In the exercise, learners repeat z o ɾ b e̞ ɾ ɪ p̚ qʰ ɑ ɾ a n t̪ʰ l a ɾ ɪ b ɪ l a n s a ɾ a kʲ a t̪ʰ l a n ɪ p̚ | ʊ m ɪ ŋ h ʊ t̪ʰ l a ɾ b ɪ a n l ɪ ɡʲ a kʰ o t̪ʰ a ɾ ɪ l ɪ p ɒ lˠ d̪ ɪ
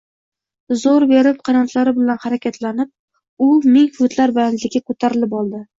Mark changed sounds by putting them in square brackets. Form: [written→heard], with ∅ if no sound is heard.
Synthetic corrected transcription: z o ɾ b e̞ ɾ ɪ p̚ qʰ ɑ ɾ a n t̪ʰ l a ɾ ɪ b ɪ l a n [s→h] a ɾ a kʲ a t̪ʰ l a n ɪ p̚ | ʊ m ɪ ŋ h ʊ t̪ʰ l a ɾ b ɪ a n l ɪ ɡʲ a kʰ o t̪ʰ a ɾ ɪ l ɪ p ɒ lˠ d̪ ɪ